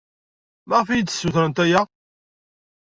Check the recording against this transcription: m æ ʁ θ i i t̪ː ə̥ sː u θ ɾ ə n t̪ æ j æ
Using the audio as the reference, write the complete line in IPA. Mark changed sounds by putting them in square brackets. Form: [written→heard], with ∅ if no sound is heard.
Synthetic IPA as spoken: m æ ʁ [θ→f] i [i→j] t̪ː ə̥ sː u θ ɾ ə n t̪ æ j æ